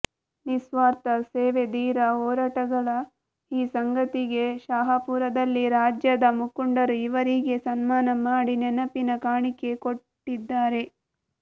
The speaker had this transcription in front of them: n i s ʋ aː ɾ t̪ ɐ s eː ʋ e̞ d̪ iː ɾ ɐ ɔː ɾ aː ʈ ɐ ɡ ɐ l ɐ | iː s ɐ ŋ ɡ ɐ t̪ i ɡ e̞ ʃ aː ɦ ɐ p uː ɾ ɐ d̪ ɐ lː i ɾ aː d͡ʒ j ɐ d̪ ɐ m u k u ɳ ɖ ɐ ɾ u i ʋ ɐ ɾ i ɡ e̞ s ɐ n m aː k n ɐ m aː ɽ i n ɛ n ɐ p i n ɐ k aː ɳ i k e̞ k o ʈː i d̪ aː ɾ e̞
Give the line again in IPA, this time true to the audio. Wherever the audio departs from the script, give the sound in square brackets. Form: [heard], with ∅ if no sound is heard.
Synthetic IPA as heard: n i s ʋ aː ɾ t̪ ɐ s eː ʋ e̞ d̪ iː ɾ ɐ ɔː ɾ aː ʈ ɐ ɡ ɐ [ɭ] ɐ | iː s ɐ ŋ ɡ ɐ t̪ i ɡ e̞ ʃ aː ɦ ɐ p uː ɾ ɐ d̪ ɐ lː i ɾ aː d͡ʒ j ɐ d̪ ɐ m u k u ɳ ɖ ɐ ɾ u i ʋ ɐ ɾ i ɡ e̞ s ɐ n m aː [∅] n ɐ m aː ɽ i n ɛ n ɐ p i n ɐ k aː ɳ i k e̞ k o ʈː i [d̪ː] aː ɾ e̞